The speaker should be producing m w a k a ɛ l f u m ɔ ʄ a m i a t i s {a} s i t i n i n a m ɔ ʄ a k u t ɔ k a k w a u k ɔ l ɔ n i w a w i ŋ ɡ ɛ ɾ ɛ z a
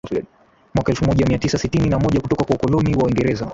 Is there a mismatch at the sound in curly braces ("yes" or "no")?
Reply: no